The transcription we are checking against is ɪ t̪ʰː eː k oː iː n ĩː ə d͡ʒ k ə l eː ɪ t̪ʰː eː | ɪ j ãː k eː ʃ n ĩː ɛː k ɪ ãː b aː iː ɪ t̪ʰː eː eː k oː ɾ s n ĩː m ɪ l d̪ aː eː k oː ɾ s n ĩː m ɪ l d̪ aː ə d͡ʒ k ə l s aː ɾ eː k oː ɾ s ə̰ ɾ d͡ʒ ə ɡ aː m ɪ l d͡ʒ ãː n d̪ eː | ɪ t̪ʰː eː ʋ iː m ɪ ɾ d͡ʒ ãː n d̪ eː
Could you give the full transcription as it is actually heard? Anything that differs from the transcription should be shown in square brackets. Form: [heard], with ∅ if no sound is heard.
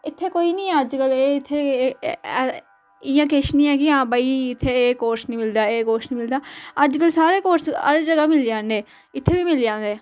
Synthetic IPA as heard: ɪ t̪ʰː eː k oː iː n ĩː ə d͡ʒ k ə l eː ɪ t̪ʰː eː | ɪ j ãː k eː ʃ n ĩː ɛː k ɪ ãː b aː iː ɪ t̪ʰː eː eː k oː ɾ s n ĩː m ɪ l d̪ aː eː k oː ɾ s n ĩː m ɪ l d̪ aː ə d͡ʒ k ə l s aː ɾ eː k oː ɾ s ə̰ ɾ d͡ʒ ə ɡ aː m ɪ l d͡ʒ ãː n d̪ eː | ɪ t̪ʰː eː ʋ iː m ɪ [l] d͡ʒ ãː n d̪ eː